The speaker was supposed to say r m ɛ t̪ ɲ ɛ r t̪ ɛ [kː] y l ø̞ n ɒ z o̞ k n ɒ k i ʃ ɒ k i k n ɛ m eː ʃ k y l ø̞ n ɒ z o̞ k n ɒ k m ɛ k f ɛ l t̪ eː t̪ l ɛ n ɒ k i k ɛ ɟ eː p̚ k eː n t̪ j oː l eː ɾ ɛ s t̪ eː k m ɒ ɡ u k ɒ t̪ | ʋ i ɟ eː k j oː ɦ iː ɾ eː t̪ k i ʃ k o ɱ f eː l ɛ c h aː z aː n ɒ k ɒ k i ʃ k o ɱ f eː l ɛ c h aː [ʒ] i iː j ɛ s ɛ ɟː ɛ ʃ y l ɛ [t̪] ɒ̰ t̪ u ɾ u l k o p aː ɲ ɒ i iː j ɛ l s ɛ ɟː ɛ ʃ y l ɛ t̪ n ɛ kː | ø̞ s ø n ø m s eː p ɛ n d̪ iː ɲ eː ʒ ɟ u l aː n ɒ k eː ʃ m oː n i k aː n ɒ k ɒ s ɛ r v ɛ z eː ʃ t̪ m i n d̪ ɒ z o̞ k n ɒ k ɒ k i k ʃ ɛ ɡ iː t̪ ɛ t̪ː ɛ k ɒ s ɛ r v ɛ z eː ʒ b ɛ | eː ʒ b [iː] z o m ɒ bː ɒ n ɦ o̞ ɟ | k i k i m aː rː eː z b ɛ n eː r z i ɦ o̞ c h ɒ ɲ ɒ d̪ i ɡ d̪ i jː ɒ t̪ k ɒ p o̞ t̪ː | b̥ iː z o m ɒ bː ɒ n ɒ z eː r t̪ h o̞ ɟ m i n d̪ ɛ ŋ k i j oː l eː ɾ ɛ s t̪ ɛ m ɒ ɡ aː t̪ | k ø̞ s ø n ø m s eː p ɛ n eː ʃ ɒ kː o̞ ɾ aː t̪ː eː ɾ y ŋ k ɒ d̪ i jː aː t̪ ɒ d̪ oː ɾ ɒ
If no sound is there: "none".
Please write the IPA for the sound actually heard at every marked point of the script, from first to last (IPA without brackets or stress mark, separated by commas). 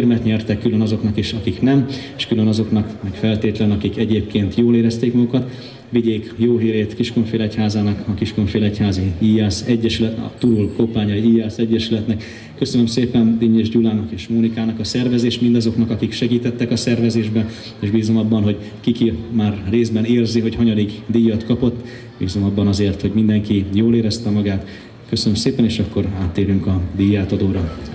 kː, z, t̪, iː